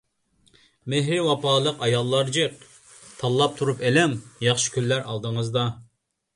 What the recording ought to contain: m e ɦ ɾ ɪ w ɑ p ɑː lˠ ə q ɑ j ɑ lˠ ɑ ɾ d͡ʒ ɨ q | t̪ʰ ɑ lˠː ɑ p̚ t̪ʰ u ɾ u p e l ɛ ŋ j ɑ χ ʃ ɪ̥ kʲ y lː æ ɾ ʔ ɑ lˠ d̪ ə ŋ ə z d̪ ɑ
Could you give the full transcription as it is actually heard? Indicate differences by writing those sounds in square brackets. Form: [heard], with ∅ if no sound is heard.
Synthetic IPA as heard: m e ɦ ɾ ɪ w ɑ p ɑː lˠ ə q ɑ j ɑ [lˠː] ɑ ɾ d͡ʒ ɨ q | t̪ʰ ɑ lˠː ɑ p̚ t̪ʰ u ɾ u p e l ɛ ŋ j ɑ χ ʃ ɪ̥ kʲ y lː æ ɾ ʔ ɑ lˠ d̪ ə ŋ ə z d̪ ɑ